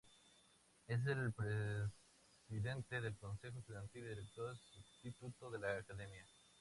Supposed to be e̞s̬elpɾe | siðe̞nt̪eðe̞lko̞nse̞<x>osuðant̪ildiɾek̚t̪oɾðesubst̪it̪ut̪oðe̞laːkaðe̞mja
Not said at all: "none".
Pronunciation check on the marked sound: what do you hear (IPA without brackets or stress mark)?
x